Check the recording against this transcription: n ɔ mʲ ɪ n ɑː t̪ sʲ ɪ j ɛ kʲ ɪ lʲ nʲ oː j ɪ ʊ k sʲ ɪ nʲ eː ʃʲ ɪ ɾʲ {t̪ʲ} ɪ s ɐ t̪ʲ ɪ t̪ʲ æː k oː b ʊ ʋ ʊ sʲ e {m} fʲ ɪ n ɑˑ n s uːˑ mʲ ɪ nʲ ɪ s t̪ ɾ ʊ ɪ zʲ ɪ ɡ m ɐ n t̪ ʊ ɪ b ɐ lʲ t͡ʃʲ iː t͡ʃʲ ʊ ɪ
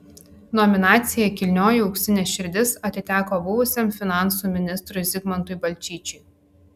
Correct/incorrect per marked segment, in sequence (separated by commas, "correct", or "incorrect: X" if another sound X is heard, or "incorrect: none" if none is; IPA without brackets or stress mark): incorrect: d̪ʲ, correct